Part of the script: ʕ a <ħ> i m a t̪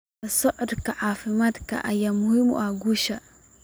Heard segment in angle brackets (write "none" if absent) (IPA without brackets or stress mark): f